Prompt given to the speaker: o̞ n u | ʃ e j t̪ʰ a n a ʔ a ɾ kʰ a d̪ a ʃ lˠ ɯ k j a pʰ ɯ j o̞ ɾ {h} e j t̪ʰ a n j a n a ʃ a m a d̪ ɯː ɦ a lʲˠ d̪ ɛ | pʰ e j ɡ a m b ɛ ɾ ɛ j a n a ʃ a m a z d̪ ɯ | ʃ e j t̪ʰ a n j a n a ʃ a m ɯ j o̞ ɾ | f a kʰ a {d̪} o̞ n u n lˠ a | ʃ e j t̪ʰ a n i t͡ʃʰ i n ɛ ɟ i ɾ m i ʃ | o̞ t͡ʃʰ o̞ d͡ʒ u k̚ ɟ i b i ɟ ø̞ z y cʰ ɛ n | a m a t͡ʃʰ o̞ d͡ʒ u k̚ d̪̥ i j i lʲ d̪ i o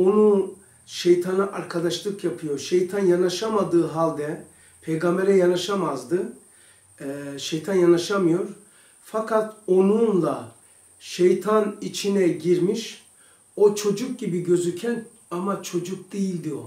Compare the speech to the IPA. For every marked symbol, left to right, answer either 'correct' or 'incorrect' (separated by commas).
incorrect, incorrect